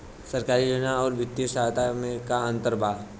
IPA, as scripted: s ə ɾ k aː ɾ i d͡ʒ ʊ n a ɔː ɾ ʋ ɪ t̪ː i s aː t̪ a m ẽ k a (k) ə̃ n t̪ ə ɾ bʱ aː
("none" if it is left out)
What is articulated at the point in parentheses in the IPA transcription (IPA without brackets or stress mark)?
none